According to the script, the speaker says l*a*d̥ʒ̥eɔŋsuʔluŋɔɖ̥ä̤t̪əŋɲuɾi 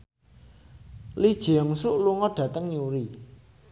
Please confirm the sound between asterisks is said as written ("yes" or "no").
no